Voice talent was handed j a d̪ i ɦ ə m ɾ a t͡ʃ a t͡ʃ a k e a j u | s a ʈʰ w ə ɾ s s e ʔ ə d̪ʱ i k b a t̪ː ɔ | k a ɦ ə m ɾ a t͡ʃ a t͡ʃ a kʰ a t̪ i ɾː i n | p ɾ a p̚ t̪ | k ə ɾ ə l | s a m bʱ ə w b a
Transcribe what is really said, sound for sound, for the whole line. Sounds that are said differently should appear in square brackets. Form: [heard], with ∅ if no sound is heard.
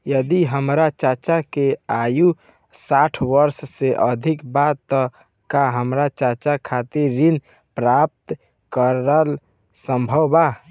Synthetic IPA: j [ə] d̪ i ɦ ə m ɾ a t͡ʃ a t͡ʃ a k e a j u | s a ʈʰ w ə ɾ s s e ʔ ə d̪ʱ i k b a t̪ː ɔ | k a ɦ ə m ɾ a t͡ʃ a t͡ʃ a kʰ a t̪ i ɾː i n | p ɾ a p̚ t̪ | k ə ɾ ə l | s [ə] m bʱ ə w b a